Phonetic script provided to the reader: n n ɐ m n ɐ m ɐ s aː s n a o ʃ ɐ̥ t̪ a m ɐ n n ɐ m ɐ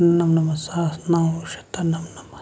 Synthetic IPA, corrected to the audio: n n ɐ m n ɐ m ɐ s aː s n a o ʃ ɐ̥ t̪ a n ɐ m n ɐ m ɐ